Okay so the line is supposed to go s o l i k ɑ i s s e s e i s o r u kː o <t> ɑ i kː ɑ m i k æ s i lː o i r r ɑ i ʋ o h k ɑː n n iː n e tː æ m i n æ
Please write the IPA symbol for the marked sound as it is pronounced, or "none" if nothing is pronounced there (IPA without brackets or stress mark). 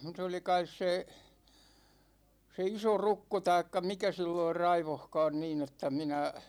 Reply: t